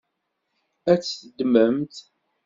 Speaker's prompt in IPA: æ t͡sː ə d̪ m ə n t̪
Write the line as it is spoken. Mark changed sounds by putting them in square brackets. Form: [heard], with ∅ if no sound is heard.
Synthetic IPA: æ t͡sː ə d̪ m ə [m] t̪